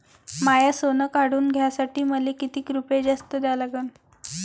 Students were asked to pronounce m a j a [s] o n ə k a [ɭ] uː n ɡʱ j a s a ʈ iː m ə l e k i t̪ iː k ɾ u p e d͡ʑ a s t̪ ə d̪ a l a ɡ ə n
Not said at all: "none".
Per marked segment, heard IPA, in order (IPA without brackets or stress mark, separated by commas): s, ɽ